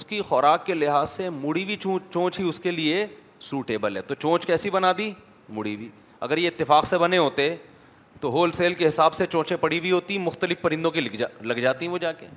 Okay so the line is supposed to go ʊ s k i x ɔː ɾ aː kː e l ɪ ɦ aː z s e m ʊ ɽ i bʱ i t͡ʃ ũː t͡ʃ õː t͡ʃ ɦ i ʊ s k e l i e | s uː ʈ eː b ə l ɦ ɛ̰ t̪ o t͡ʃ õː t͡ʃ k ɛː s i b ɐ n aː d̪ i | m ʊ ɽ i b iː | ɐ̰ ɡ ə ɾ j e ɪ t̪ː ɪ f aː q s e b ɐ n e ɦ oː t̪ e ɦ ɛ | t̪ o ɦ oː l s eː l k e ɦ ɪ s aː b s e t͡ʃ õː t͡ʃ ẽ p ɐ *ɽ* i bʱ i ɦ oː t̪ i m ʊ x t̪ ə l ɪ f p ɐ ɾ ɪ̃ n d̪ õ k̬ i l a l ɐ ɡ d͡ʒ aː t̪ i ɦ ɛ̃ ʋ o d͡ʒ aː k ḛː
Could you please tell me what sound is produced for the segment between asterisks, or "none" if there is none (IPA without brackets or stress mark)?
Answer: ɽ